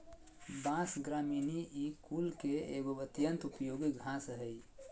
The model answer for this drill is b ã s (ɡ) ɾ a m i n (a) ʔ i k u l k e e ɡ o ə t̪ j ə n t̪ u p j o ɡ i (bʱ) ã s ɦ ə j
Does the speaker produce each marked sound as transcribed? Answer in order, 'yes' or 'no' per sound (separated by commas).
yes, no, no